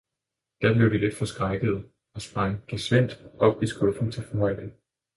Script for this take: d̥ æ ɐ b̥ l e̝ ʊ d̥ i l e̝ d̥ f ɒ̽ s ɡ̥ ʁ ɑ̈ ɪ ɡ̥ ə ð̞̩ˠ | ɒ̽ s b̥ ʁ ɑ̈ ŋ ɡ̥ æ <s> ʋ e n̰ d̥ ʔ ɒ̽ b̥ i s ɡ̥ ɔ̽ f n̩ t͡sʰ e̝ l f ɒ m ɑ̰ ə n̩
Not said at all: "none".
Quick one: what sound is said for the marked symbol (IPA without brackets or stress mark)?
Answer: s